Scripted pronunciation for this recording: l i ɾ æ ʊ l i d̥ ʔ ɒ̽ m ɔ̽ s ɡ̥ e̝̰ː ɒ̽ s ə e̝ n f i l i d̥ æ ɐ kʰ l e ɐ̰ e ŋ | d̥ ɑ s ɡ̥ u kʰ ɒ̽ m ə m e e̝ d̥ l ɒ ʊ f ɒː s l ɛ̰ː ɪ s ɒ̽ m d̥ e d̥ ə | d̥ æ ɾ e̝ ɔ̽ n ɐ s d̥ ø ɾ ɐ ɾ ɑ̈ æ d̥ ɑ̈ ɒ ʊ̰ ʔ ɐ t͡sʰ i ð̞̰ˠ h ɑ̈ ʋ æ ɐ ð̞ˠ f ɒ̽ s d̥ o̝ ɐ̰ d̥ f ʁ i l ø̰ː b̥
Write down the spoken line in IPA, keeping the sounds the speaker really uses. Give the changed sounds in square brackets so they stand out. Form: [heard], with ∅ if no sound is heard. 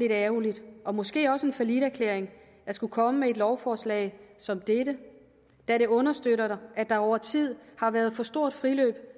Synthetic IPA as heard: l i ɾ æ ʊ l i d̥ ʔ ɒ̽ m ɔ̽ s ɡ̥ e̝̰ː ɒ̽ s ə e̝ n f [æ] l i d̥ æ ɐ kʰ l e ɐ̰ e ŋ | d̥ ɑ s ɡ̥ u kʰ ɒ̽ m ə m e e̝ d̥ l ɒ ʊ f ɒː s l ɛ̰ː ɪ s ɒ̽ m d̥ e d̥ ə | d̥ æ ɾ e̝ ɔ̽ n ɐ s d̥ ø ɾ ɐ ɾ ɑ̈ æ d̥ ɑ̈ ɒ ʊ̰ [∅] ɐ t͡sʰ i ð̞̰ˠ h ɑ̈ ʋ æ ɐ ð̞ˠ f ɒ̽ s d̥ o̝ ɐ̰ d̥ f ʁ i l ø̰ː b̥